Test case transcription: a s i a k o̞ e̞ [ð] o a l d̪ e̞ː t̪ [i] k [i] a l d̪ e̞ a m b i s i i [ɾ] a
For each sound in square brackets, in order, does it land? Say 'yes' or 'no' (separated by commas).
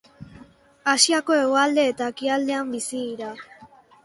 no, no, yes, yes